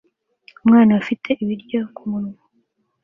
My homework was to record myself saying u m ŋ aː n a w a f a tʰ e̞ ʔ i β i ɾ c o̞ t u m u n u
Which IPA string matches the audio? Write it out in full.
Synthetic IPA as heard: u m ŋ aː n a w a f i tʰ e̞ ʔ i β i ɾ ɟ o̞ k u m u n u